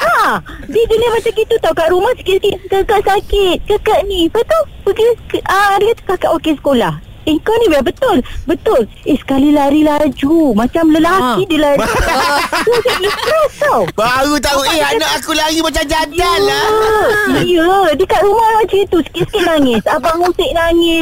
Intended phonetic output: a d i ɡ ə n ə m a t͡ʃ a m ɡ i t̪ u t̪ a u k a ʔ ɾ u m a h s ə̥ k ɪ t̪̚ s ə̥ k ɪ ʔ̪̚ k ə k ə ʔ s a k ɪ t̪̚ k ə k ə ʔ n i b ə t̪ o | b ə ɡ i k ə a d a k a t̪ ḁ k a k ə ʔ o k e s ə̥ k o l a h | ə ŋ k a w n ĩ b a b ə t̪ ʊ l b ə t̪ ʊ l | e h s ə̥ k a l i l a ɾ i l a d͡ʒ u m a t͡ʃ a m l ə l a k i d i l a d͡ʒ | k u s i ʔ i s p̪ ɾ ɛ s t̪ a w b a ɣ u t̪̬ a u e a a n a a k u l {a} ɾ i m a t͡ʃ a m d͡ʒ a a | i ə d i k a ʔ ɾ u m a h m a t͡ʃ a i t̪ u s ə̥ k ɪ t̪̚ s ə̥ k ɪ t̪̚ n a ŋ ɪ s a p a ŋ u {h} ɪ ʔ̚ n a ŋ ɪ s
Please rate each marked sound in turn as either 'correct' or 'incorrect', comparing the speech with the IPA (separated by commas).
correct, incorrect